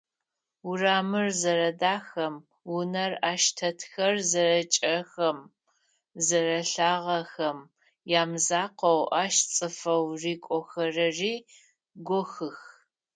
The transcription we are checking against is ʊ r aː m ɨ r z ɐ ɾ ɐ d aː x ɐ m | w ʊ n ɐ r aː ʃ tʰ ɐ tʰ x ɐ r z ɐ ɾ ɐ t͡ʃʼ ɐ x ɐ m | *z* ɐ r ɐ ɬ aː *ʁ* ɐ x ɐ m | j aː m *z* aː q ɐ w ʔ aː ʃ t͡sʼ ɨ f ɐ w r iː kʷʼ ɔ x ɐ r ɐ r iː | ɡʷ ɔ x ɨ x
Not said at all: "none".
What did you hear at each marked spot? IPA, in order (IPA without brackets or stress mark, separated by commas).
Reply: z, ʁ, z